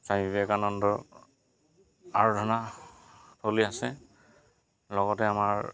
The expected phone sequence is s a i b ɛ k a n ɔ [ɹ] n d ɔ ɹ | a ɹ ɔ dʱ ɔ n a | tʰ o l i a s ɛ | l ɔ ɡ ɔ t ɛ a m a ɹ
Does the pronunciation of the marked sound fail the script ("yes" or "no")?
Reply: yes